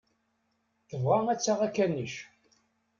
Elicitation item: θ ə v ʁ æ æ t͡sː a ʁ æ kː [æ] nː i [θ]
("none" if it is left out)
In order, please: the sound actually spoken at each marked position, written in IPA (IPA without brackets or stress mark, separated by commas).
æ, ʃ